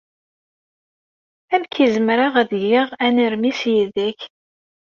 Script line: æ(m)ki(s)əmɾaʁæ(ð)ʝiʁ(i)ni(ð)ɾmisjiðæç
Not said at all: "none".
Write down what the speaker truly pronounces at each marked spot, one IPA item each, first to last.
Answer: m, z, ð, æ, none

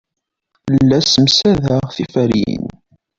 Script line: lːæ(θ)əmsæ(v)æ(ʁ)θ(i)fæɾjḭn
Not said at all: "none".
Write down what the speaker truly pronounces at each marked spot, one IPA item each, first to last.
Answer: s, ð, ʁ, i

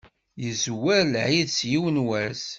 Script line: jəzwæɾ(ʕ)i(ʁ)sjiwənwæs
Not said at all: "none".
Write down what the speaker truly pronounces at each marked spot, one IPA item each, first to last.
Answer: ʕ, ð

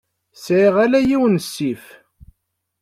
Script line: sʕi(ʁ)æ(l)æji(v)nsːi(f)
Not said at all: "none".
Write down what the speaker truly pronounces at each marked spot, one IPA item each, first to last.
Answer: ʁ, l, w, f

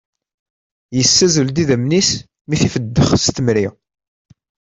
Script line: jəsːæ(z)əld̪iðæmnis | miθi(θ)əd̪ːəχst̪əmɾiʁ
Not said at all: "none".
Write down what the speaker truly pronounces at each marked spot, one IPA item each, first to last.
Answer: z, f

